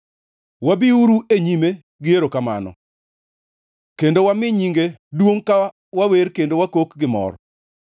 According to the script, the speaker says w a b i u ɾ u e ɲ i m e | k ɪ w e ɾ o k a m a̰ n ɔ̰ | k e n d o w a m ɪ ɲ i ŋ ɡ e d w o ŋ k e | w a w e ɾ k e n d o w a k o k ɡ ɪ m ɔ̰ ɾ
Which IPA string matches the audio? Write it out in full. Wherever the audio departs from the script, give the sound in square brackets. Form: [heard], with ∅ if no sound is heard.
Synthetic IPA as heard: w a b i u ɾ u e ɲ i m e | [ɡ] ɪ [∅] e ɾ o k a m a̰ n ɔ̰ | k e n d o w a m ɪ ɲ i ŋ ɡ e d w o ŋ k [a] | w a w e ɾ k e n d o w a k o k ɡ ɪ m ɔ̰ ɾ